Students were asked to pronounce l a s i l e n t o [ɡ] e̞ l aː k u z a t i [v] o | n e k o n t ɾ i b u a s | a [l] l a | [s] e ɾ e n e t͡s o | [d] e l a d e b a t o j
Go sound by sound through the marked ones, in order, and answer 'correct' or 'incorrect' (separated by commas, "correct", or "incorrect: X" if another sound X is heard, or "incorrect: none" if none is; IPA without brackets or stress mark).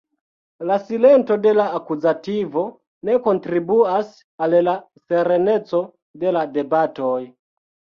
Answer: incorrect: d, correct, correct, correct, correct